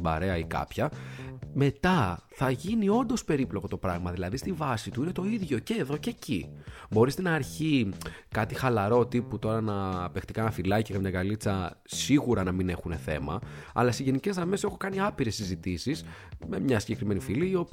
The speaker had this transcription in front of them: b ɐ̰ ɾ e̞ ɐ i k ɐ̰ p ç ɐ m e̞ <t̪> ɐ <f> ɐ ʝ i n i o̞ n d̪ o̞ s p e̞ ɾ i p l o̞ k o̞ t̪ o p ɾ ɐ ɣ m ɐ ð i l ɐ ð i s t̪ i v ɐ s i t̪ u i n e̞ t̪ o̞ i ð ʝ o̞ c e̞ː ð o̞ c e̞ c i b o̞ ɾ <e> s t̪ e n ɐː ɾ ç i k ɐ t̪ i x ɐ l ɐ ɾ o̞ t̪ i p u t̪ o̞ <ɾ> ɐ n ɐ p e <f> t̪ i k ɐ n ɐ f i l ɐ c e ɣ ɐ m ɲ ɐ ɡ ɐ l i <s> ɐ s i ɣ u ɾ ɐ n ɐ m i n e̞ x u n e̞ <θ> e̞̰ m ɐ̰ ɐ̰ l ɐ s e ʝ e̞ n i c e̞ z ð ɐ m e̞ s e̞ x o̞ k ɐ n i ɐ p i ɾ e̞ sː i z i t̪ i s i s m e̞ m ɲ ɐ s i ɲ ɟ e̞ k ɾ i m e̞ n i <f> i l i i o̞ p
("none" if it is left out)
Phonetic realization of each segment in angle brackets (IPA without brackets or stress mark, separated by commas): t̪, θ, i, ɾ, x, t͡s, θ, f